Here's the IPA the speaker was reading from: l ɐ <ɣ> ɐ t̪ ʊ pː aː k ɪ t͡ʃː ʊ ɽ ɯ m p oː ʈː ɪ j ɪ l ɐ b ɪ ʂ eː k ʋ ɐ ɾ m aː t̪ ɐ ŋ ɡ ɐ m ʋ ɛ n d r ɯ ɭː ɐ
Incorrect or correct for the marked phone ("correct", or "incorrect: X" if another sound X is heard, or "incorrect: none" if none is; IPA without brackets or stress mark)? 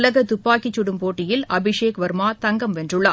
correct